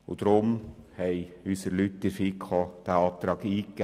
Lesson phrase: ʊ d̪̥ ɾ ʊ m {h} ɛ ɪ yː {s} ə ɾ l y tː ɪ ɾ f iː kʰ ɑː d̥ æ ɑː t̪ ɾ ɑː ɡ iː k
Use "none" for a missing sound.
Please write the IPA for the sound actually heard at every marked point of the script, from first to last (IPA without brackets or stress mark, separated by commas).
h, s